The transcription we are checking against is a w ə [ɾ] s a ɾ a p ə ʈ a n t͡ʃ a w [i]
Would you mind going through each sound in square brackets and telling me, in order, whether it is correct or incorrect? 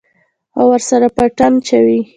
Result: correct, correct

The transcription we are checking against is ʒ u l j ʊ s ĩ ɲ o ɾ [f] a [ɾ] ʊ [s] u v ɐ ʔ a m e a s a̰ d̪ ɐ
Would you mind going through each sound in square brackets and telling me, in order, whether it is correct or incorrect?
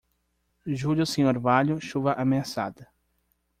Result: incorrect, incorrect, incorrect

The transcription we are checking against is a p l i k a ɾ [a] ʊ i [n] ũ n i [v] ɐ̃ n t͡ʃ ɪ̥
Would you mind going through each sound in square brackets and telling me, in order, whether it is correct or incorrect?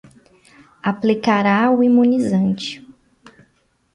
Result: correct, incorrect, incorrect

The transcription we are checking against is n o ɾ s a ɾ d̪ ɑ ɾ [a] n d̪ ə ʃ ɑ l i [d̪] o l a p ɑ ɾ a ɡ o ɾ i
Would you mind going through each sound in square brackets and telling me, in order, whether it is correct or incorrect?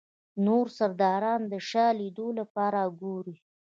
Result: incorrect, correct

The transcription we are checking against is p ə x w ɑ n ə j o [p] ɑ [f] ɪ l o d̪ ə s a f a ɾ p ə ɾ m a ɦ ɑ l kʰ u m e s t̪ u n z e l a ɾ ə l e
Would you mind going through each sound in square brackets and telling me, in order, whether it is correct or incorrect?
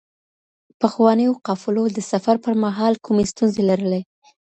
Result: incorrect, correct

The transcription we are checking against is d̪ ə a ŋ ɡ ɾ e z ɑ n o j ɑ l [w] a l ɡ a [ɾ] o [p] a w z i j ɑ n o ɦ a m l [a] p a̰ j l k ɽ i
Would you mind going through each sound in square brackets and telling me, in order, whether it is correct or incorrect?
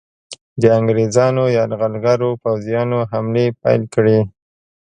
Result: incorrect, correct, correct, incorrect

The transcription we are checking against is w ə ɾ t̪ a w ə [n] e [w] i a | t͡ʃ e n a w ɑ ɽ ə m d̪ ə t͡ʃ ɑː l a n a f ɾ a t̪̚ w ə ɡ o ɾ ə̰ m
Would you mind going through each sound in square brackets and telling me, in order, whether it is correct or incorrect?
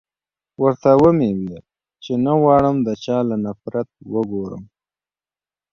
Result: incorrect, correct

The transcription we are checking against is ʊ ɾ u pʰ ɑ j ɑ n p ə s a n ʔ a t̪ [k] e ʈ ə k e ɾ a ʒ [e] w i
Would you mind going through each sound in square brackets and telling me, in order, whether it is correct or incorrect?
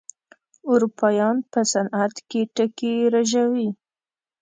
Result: correct, incorrect

